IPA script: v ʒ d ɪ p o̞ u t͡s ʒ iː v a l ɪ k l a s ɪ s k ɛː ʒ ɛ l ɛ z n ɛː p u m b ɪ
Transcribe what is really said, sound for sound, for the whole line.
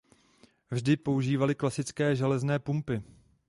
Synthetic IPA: v ʒ d ɪ p o̞ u ʒ iː v a l ɪ k l a s ɪ t͡s k ɛː ʒ ɛ l ɛ z n ɛː p u m p ɪ